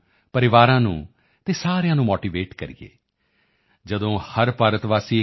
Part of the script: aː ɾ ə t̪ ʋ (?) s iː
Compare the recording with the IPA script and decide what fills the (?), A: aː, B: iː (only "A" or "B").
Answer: A